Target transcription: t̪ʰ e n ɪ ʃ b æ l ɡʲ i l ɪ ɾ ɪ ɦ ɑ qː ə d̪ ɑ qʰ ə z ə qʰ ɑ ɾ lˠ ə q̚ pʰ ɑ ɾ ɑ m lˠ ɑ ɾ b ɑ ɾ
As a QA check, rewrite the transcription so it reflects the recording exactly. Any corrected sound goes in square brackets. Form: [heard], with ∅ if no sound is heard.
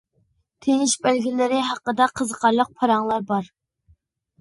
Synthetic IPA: t̪ʰ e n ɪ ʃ b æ l ɡʲ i l ɪ ɾ ɪ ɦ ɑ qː ə d̪ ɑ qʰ ə z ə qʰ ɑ ɾ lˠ ə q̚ pʰ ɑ ɾ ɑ [ŋ] lˠ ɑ ɾ b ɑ ɾ